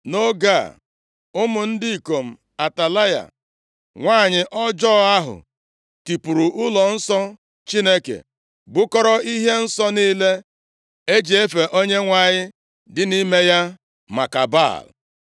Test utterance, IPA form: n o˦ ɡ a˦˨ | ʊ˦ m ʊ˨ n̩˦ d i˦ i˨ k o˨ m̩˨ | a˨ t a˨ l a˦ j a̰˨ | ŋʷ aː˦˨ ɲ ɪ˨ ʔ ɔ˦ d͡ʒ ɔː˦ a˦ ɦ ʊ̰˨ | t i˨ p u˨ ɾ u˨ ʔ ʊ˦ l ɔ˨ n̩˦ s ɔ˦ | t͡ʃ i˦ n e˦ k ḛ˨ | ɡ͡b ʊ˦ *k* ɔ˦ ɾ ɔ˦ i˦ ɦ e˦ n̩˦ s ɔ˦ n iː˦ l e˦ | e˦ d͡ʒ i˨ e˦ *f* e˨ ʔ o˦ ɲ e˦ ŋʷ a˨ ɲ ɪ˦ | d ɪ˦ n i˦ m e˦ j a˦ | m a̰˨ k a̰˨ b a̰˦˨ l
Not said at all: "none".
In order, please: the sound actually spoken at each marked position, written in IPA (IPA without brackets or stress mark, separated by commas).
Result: k, f